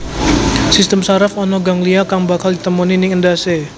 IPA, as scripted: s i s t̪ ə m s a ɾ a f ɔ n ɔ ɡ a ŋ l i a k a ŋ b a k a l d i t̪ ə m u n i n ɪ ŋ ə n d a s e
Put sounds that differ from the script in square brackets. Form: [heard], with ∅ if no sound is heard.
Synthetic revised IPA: s i s t̪ ə m s a ɾ a f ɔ n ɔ ɡ a ŋ l i a k a ŋ b a k a l d i t̪ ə m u n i n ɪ ŋ ə n d a s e